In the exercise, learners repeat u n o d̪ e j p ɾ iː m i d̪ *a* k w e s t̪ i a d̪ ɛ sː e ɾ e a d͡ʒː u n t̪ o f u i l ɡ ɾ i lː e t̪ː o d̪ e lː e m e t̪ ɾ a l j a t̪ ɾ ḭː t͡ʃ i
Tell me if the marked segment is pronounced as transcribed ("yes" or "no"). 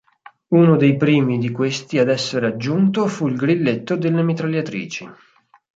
no